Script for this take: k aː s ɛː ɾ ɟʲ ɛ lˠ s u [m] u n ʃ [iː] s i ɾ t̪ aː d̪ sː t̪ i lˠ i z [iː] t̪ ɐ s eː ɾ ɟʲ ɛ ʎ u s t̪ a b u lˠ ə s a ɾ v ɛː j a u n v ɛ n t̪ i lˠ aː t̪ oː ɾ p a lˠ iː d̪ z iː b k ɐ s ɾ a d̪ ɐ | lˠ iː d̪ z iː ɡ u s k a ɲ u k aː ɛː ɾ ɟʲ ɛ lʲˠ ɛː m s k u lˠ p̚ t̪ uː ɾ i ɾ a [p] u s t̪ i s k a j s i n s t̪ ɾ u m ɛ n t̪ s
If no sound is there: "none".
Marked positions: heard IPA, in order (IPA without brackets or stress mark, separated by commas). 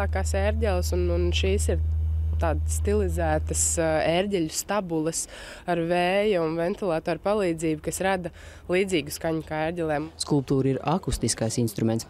n, iː, æː, k